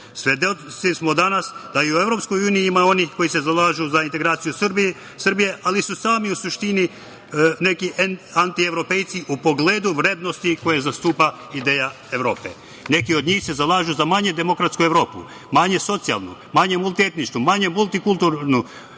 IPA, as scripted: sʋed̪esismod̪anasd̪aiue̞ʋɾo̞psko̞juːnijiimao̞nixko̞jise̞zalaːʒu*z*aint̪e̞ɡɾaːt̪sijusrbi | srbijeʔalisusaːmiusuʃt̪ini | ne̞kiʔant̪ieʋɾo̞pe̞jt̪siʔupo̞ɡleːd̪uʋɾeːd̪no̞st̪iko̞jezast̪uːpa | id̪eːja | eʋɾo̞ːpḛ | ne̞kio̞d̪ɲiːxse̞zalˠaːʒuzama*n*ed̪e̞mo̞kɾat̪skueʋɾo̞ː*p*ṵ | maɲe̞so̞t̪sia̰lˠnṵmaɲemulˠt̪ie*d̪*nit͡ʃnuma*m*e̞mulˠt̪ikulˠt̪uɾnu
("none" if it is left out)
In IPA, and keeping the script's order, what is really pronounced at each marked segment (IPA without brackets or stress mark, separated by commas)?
z, ɲ, p, t̪, ɲ